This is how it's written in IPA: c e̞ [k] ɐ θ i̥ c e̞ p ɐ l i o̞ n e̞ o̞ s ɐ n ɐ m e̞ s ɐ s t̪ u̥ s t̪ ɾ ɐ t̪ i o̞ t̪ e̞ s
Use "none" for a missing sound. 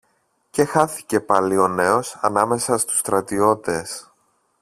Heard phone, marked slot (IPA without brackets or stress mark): x